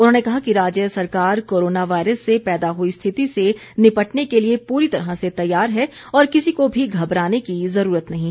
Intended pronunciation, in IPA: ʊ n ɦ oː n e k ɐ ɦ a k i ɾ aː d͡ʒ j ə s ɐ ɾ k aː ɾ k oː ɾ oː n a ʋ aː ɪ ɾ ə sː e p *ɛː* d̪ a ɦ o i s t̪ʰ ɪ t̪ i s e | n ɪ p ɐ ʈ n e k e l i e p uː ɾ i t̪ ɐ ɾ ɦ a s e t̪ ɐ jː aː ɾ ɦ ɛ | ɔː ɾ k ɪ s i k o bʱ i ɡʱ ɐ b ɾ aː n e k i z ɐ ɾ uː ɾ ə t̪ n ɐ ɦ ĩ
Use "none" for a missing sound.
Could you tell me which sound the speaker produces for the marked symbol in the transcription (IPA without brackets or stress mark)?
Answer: ɛː